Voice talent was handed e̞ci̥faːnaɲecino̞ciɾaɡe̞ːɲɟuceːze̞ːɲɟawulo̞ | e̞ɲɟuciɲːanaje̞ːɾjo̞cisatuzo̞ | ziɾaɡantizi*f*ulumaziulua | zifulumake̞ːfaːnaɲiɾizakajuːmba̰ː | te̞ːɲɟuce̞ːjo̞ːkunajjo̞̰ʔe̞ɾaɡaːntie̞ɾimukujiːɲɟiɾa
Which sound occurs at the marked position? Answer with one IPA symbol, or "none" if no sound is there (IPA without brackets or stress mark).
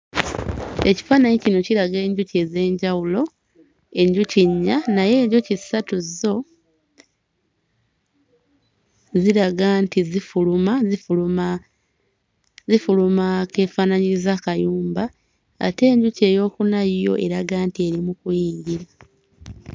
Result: f